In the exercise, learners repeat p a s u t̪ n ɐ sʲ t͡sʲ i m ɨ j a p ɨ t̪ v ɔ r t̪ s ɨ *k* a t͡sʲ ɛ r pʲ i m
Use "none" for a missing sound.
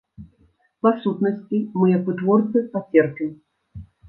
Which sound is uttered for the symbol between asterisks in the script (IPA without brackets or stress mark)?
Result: p